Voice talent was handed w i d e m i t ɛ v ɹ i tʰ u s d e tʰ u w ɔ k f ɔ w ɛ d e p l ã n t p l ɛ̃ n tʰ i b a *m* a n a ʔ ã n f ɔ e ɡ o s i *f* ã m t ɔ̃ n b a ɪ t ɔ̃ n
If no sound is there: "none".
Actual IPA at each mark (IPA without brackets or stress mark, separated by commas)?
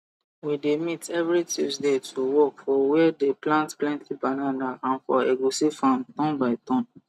n, f